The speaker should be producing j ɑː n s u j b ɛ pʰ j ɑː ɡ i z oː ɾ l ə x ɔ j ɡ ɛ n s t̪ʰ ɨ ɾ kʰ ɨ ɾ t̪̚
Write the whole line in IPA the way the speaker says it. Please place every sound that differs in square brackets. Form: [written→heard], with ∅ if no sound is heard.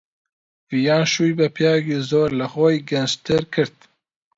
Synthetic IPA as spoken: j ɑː n [s→ʃ] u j b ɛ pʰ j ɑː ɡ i z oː ɾ l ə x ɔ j ɡ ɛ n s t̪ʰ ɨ ɾ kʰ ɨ ɾ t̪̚